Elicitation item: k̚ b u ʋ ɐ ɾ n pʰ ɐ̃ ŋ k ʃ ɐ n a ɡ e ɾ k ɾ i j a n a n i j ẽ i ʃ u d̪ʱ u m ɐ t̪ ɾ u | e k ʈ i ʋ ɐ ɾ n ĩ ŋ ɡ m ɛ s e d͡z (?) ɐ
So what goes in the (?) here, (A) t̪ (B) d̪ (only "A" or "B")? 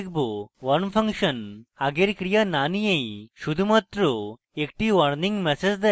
B